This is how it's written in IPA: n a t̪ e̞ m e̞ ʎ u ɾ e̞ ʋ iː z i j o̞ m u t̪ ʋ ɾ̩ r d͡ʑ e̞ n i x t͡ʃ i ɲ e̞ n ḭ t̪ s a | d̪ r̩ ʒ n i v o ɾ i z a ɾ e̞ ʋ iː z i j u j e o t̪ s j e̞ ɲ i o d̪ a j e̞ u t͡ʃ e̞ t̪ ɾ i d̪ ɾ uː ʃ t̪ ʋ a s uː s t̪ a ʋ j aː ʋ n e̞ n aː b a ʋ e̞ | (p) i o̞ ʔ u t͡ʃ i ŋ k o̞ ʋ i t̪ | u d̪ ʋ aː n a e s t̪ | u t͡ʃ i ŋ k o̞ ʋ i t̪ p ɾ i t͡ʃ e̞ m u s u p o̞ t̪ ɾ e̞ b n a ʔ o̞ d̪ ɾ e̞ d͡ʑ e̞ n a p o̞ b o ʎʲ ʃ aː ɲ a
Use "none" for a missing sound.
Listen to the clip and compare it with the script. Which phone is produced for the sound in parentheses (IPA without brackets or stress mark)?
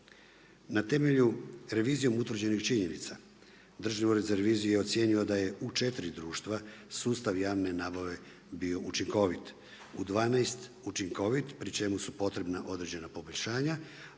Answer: b